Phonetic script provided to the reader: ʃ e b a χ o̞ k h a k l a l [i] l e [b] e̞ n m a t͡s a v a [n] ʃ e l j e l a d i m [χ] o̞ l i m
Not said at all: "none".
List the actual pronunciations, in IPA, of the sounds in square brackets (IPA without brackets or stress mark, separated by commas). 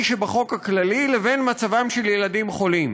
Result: i, v, m, χ